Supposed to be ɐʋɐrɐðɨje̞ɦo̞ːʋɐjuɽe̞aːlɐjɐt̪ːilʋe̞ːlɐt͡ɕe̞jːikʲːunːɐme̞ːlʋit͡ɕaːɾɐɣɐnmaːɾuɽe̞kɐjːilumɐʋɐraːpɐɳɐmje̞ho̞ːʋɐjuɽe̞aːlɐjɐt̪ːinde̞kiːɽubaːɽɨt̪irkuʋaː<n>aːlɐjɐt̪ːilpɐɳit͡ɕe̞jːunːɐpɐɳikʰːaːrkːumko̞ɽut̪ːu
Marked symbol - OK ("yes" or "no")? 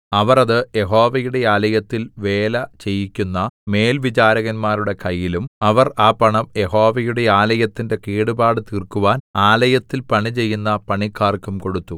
yes